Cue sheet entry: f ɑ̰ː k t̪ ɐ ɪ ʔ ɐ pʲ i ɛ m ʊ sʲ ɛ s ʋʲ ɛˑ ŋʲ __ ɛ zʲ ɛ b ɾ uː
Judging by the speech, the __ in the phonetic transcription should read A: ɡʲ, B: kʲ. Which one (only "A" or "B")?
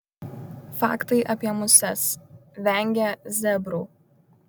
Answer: A